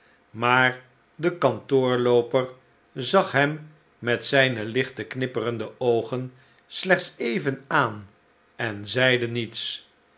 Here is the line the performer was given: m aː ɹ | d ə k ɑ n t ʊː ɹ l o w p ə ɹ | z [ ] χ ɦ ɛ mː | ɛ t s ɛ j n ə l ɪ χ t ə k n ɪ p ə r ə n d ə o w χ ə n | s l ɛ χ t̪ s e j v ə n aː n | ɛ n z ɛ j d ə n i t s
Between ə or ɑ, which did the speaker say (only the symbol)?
ɑ